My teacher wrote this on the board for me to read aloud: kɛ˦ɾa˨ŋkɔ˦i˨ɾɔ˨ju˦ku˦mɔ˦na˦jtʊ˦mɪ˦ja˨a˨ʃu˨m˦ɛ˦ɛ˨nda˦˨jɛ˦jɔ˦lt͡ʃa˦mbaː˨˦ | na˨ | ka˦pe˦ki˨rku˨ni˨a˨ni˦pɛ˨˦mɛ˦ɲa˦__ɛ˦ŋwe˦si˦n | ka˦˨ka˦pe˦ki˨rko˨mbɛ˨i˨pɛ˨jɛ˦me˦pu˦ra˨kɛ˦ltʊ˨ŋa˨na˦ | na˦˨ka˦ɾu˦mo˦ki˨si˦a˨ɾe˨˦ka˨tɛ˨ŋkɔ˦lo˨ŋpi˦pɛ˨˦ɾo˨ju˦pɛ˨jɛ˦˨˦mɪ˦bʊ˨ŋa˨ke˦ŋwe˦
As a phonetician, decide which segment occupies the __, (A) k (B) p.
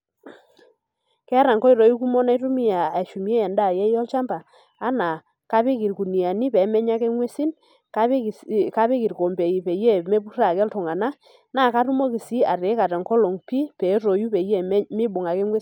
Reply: A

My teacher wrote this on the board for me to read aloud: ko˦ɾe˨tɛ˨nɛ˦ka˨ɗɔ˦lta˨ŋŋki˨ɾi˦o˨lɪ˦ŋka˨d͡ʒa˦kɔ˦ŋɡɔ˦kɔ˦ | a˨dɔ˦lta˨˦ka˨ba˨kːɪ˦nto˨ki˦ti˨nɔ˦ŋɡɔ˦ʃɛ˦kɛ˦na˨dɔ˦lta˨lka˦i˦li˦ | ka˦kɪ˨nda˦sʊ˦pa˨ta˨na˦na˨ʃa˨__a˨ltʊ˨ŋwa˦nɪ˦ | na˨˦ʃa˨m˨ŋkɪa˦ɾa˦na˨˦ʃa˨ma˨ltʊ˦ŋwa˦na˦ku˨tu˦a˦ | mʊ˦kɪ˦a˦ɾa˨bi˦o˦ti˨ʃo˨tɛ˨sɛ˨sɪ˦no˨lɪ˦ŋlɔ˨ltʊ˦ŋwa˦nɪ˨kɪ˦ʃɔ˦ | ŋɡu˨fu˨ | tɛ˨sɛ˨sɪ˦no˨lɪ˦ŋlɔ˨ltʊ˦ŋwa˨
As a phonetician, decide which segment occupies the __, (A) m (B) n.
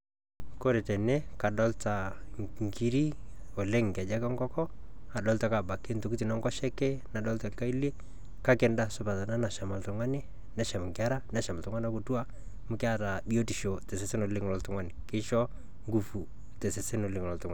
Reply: A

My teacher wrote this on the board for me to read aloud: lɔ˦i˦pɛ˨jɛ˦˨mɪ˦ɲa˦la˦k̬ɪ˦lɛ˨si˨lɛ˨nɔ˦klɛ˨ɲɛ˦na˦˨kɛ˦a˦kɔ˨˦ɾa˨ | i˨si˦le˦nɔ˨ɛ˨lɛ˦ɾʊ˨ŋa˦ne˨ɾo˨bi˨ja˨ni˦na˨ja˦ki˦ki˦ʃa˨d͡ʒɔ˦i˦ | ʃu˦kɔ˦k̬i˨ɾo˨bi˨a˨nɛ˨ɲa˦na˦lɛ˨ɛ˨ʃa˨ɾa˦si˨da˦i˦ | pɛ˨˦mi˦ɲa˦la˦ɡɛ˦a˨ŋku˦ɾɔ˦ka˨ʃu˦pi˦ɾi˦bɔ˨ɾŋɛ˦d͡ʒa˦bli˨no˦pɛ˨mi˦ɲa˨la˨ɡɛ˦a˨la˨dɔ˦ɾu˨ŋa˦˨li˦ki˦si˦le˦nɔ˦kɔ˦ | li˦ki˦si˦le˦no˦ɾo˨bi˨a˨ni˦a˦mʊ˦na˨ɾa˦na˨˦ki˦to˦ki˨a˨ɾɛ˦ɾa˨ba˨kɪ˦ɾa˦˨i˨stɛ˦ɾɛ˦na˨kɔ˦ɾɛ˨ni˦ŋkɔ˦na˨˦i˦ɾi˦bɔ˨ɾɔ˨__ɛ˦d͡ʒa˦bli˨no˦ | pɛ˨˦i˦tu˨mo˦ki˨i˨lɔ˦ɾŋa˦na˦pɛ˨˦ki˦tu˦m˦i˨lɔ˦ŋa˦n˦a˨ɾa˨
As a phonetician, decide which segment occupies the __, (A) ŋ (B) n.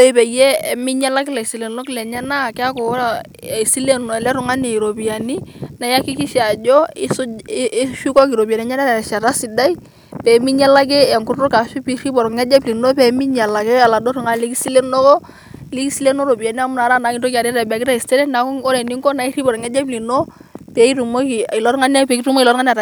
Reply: A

